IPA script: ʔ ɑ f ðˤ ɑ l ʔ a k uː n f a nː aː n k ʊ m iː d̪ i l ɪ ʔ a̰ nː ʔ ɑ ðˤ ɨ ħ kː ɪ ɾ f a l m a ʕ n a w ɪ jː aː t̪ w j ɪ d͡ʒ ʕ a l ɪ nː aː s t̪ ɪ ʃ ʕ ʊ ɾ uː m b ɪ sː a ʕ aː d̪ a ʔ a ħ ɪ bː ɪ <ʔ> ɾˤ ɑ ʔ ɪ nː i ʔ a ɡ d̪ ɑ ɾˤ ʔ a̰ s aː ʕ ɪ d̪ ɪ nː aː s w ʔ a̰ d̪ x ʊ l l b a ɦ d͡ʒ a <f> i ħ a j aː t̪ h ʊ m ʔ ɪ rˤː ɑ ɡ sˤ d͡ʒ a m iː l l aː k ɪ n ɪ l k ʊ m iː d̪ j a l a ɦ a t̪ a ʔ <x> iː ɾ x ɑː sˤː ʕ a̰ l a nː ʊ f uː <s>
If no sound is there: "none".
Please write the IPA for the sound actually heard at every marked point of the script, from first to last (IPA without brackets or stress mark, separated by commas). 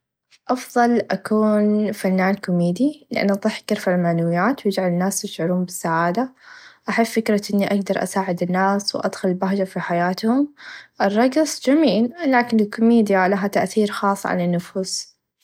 k, f, θ, s